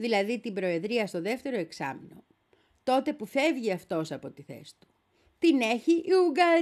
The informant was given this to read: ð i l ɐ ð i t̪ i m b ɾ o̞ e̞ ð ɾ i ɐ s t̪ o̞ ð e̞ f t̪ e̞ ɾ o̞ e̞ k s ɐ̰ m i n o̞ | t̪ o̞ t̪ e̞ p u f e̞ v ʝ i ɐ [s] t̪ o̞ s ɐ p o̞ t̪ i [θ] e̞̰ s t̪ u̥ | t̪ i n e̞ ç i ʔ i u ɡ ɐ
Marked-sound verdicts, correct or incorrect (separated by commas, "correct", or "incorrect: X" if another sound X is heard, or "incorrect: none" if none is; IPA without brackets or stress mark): incorrect: f, correct